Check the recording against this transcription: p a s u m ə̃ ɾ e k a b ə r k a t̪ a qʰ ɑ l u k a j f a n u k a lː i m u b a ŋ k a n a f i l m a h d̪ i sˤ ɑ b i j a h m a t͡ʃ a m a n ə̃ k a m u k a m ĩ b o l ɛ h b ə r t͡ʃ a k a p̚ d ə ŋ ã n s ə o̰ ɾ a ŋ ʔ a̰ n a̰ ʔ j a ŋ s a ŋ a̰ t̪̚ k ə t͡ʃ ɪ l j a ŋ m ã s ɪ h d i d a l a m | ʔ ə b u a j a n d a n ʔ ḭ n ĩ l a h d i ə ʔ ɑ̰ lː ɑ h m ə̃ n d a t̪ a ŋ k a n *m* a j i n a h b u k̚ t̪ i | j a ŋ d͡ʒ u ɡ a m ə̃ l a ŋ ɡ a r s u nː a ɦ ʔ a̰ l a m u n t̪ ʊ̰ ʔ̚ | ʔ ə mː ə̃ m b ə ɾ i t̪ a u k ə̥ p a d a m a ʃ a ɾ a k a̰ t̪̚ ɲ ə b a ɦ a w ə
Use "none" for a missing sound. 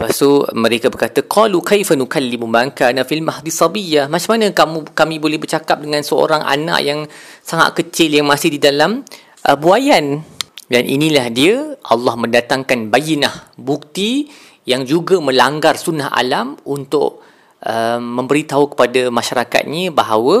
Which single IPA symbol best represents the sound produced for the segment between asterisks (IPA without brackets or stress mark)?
b